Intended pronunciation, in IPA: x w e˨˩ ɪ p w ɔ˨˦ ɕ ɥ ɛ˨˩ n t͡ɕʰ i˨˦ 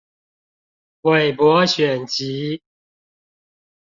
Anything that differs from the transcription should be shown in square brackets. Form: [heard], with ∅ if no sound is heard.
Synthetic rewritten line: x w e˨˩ ɪ p w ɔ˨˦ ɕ ɥ ɛ˨˩ n [t͡ɕ] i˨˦